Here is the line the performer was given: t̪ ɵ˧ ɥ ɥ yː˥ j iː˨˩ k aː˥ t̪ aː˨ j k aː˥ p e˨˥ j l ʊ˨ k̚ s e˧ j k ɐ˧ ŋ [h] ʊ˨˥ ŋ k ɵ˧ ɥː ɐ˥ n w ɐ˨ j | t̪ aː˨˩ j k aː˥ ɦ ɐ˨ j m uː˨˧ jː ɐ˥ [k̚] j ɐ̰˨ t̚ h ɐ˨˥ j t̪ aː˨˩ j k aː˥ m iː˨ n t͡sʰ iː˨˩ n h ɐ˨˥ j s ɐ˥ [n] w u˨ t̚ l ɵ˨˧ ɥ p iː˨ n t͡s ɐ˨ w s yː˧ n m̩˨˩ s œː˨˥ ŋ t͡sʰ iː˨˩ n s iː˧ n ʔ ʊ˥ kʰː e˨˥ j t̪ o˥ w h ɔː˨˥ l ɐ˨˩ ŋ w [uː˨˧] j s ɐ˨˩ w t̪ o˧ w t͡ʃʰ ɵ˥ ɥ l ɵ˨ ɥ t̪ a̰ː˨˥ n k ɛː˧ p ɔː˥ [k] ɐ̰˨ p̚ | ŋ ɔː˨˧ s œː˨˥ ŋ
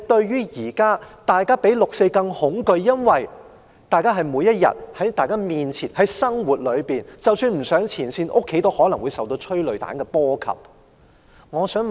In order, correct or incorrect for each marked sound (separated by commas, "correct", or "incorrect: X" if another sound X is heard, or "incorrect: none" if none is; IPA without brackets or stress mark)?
correct, incorrect: t̚, incorrect: ŋ, incorrect: u˨˧, incorrect: kʰ